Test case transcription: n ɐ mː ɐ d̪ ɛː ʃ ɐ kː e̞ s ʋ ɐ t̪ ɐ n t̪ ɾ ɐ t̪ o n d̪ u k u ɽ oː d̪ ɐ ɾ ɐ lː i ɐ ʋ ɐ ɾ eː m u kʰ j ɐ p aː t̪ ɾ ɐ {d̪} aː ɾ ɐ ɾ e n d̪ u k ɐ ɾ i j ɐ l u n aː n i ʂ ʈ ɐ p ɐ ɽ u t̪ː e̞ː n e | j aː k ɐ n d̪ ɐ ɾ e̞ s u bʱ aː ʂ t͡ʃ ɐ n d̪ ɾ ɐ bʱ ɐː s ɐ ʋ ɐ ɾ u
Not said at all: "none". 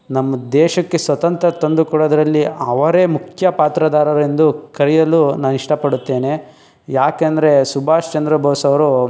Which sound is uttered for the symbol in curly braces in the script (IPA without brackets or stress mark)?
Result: d̪